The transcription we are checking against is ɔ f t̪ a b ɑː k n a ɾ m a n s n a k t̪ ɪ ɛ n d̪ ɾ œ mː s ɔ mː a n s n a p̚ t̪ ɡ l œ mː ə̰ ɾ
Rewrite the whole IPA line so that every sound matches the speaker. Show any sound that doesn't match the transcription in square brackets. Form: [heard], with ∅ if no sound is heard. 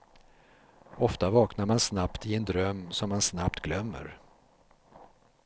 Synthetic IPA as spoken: ɔ f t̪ a [v] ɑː k n a ɾ m a n s n a [p] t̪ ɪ ɛ n d̪ ɾ œ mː s ɔ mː a n s n a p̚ t̪ ɡ l œ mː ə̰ ɾ